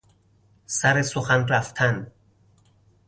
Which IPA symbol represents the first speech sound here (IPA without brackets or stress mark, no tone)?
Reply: s